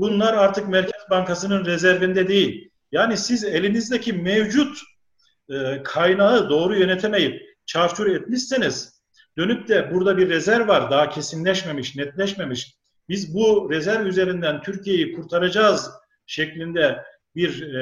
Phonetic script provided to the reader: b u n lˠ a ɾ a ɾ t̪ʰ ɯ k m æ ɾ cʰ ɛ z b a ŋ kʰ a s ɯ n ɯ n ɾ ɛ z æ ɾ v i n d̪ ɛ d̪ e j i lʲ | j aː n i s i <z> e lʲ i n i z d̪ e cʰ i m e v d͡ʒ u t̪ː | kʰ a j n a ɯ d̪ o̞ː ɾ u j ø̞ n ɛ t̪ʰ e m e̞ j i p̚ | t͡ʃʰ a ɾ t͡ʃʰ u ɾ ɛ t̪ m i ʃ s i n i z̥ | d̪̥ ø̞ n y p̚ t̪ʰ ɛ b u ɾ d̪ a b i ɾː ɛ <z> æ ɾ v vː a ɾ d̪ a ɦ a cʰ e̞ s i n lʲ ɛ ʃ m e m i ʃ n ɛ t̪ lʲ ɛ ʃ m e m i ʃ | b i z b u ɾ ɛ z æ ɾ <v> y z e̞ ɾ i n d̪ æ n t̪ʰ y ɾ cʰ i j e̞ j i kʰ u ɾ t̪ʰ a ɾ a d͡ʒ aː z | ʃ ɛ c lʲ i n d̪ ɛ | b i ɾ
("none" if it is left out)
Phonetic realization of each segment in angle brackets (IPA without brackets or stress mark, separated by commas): z, z, v